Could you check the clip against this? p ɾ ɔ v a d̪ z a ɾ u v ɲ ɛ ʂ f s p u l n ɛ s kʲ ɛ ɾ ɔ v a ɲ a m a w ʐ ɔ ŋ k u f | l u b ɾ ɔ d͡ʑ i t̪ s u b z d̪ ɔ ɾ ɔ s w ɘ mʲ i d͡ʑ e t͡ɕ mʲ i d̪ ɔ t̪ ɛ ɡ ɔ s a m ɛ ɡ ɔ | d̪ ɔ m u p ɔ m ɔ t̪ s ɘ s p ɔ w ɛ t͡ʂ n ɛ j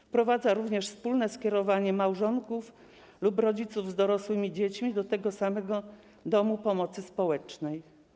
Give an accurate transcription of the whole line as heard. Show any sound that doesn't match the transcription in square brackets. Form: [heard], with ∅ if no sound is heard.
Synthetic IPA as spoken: p ɾ ɔ v a d̪ z a ɾ u v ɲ ɛ ʂ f s p u l n ɛ s kʲ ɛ ɾ ɔ v a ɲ [ɛ] m a w ʐ ɔ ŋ k u f | l u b ɾ ɔ d͡ʑ i t̪ s u [v] z d̪ ɔ ɾ ɔ s w ɘ mʲ i d͡ʑ e t͡ɕ mʲ i d̪ ɔ t̪ ɛ ɡ ɔ s a m ɛ ɡ ɔ | d̪ ɔ m u p ɔ m ɔ t̪ s ɘ s p ɔ w ɛ t͡ʂ n ɛ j

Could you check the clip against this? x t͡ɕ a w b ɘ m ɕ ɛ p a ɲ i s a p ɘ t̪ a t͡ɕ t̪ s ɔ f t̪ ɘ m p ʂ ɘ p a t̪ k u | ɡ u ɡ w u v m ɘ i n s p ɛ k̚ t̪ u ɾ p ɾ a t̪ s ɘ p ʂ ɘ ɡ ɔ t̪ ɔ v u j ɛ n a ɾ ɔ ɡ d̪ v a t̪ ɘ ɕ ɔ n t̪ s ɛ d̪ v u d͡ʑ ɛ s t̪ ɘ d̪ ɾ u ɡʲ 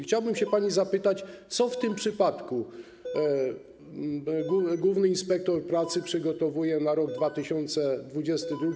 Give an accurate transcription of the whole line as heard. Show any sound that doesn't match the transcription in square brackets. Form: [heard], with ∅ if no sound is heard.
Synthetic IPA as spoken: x t͡ɕ a w b ɘ m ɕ ɛ p a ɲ i [z] a p ɘ t̪ a t͡ɕ t̪ s ɔ f t̪ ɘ m p ʂ ɘ p a t̪ k u | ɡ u ɡ w u v [n] ɘ i n s p ɛ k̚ t̪ [ɔ] ɾ p ɾ a t̪ s ɘ p ʂ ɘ ɡ ɔ t̪ ɔ v u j ɛ n a ɾ ɔ ɡ d̪ v a t̪ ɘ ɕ ɔ n t̪ s ɛ d̪ v u d͡ʑ ɛ s t̪ ɘ d̪ ɾ u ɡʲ

